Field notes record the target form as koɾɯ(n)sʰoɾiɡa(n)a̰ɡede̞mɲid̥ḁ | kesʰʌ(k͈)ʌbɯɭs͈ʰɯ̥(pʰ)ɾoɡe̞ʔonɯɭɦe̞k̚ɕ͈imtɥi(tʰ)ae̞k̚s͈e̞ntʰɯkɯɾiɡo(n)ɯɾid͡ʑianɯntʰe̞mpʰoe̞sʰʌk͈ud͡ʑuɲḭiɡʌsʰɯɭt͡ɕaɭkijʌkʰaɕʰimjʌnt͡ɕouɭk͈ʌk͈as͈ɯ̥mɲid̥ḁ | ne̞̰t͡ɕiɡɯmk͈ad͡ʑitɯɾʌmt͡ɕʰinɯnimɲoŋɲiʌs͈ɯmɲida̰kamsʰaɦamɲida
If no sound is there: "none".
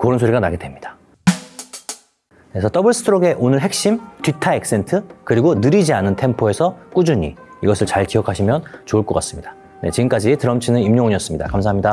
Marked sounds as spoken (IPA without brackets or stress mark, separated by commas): n, n, t͈, tʰ, tʰ, n